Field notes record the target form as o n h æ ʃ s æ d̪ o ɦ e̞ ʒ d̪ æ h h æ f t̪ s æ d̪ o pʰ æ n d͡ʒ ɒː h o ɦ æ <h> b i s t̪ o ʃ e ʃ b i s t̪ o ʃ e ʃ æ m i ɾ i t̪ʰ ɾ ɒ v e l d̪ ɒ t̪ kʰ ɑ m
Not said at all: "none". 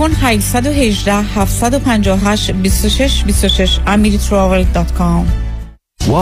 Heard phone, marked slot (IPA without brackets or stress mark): ʃ